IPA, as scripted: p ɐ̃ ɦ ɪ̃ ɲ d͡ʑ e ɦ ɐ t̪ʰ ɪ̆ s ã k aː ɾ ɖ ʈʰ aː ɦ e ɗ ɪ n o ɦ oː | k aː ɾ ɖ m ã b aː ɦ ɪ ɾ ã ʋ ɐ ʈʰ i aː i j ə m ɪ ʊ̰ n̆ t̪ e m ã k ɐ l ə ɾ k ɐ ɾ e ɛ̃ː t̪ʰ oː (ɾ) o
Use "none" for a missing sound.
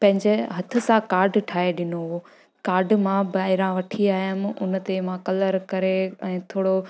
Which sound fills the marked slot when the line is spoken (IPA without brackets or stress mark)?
ɽ